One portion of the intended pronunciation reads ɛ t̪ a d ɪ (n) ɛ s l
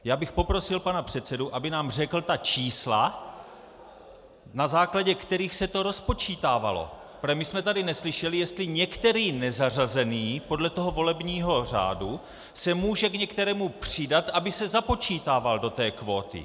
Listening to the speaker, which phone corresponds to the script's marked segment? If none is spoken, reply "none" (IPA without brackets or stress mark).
n